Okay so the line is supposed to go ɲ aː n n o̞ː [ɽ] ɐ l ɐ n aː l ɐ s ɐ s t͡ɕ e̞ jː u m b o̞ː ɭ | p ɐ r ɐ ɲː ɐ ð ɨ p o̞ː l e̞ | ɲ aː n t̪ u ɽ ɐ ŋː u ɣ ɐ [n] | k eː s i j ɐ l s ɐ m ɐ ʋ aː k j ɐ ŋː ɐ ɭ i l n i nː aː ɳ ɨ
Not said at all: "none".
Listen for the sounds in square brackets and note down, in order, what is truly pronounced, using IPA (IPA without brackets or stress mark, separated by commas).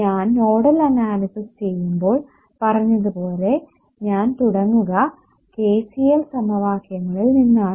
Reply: ɽ, none